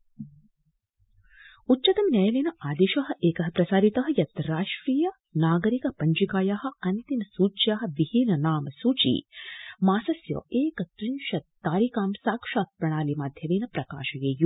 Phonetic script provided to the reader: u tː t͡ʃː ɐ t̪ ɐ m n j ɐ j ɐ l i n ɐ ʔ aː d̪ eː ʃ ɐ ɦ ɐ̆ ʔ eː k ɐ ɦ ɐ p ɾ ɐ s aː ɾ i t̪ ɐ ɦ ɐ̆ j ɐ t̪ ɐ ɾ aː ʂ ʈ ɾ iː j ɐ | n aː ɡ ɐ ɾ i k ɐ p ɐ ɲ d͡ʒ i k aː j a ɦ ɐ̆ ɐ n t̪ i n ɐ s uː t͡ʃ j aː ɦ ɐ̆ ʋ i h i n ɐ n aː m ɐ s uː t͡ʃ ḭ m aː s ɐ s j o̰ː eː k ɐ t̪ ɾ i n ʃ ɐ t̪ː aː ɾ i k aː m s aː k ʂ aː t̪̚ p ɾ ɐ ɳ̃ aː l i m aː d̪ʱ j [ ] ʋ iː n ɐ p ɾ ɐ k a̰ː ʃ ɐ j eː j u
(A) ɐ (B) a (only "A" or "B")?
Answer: A